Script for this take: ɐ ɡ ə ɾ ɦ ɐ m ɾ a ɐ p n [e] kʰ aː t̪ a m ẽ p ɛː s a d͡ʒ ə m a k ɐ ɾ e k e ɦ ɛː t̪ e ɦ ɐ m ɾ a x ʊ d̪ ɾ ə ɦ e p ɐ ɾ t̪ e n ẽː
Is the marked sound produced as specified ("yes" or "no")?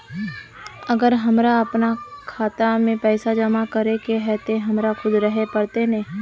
no